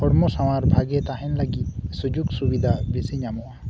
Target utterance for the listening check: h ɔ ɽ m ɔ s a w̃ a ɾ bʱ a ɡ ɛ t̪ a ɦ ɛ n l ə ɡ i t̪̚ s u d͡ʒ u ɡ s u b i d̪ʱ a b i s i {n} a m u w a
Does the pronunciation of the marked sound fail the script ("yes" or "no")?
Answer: yes